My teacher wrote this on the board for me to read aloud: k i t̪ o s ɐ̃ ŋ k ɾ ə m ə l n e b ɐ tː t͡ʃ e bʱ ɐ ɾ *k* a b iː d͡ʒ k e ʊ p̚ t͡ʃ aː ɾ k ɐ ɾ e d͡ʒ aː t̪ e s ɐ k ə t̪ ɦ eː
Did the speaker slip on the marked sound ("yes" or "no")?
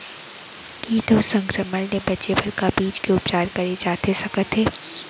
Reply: no